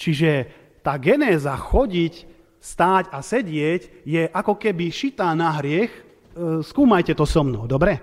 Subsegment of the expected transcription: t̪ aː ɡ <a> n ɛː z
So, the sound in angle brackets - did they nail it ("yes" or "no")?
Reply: no